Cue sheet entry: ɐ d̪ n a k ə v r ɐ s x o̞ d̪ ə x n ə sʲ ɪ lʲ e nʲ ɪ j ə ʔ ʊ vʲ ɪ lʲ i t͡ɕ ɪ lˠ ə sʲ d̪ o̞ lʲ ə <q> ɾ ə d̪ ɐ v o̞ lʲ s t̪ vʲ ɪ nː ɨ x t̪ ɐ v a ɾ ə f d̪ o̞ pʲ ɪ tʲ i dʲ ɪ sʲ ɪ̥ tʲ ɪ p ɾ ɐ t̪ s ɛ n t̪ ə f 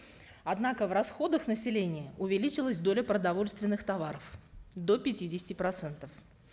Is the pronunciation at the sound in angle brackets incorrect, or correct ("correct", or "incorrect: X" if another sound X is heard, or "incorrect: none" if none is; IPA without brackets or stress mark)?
incorrect: p